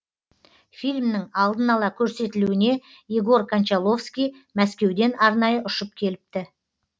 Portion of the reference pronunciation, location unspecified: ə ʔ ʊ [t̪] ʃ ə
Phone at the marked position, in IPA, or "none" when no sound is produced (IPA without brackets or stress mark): none